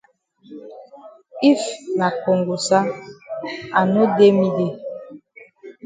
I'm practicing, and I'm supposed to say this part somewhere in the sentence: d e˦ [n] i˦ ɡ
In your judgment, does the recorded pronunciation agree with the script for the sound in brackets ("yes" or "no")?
no